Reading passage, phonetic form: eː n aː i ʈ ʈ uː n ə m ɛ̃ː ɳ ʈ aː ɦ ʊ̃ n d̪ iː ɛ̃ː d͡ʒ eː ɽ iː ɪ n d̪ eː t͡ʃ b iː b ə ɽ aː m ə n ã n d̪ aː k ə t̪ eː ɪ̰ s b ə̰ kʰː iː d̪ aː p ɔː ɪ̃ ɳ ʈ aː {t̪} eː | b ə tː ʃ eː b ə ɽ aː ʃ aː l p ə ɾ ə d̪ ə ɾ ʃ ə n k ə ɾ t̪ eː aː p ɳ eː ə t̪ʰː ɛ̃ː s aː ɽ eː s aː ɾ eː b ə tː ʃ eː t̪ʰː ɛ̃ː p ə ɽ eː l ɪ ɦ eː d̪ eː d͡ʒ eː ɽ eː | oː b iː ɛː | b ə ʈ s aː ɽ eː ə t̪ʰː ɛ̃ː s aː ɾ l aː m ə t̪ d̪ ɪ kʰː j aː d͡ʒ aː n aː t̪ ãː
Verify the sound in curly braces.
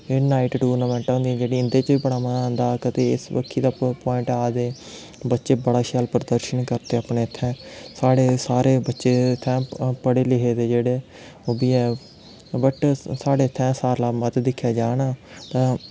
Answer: incorrect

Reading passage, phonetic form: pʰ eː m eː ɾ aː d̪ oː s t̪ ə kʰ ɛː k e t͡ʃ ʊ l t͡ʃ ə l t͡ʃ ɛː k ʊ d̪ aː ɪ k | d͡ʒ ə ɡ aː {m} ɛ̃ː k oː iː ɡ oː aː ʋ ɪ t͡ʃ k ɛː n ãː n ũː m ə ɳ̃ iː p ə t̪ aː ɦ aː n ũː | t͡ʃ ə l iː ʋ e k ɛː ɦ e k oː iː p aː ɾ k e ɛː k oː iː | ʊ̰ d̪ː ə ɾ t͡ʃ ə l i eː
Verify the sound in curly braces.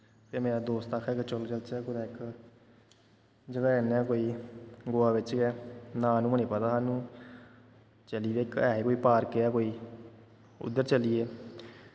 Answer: incorrect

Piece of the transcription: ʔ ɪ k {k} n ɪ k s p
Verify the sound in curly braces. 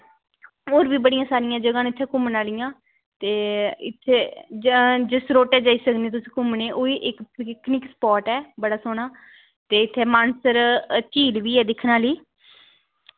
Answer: correct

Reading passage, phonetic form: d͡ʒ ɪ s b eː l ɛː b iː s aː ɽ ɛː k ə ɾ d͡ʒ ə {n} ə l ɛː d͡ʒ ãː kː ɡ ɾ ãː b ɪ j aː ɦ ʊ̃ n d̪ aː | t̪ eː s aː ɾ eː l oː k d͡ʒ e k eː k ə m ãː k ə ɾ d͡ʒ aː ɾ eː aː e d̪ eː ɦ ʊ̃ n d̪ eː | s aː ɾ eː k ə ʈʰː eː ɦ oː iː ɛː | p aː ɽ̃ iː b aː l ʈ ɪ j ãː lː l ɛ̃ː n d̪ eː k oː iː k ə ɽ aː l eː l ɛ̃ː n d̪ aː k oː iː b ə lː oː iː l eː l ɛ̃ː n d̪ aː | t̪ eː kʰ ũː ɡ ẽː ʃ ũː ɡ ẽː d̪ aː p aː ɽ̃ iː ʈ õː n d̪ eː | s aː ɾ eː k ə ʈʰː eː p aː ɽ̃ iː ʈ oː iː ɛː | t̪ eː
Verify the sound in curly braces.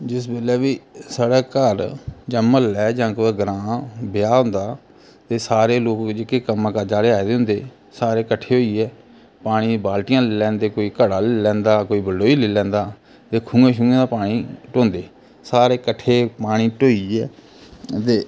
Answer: incorrect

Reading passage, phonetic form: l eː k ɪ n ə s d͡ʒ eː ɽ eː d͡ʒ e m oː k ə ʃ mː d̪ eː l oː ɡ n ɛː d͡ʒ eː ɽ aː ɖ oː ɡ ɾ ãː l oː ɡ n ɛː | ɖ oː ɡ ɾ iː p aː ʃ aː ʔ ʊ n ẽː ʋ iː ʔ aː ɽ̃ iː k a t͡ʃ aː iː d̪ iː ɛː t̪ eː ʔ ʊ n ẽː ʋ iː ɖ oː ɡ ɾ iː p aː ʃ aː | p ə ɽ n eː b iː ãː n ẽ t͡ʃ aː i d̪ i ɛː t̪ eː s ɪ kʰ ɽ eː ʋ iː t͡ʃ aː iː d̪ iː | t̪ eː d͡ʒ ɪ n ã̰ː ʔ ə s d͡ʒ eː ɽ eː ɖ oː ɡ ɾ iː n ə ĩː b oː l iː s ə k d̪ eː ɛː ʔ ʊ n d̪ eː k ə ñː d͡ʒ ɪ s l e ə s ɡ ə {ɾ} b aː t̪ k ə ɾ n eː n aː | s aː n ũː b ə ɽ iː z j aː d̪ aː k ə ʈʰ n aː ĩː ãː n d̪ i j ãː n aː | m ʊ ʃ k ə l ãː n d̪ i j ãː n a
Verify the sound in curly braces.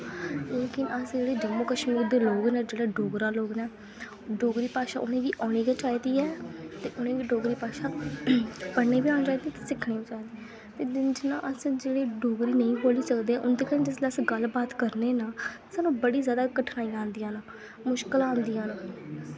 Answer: incorrect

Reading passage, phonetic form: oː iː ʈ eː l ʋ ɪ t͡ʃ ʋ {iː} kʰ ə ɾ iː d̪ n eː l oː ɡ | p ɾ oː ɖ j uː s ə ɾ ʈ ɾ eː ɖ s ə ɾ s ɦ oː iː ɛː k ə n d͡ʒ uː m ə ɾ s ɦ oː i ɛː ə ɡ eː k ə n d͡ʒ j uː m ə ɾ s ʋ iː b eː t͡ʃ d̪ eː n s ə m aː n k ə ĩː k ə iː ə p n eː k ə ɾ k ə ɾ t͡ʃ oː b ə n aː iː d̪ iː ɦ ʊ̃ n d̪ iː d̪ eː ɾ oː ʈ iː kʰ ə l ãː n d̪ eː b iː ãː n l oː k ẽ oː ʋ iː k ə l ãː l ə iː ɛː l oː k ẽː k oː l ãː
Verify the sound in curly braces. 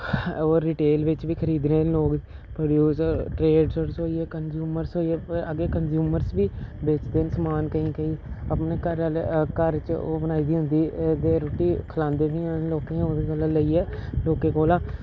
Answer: correct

